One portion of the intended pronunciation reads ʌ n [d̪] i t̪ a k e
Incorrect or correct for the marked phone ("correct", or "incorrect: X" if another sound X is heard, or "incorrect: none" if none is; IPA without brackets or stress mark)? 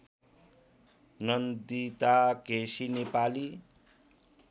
correct